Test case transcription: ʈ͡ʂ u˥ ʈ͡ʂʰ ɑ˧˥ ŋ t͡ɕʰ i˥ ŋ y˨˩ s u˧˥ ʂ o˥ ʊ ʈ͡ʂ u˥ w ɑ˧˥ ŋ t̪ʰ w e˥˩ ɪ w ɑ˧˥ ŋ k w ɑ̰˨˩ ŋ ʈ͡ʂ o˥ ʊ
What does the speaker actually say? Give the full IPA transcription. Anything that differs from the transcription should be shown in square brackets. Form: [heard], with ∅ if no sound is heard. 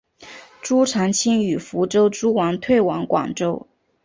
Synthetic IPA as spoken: ʈ͡ʂ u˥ ʈ͡ʂʰ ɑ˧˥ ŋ t͡ɕʰ i˥ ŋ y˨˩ [f] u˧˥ [ʈ͡ʂ] o˥ ʊ ʈ͡ʂ u˥ w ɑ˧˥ ŋ t̪ʰ w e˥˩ ɪ w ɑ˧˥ ŋ k w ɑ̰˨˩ ŋ ʈ͡ʂ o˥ ʊ